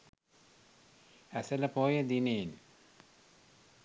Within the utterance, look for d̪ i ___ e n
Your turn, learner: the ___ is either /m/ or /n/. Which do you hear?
n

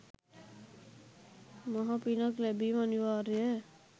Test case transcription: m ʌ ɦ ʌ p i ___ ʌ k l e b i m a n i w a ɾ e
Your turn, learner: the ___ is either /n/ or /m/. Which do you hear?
n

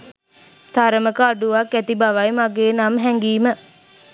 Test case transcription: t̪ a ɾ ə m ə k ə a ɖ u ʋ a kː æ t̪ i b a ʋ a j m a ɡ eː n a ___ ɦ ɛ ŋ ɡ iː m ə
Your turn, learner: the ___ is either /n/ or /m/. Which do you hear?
m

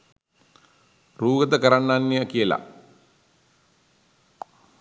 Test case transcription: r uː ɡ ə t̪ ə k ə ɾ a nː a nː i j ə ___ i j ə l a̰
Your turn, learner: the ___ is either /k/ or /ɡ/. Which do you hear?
k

